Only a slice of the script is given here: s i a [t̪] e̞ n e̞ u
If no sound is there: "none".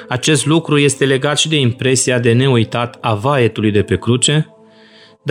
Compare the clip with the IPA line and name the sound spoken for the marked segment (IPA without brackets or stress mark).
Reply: d̪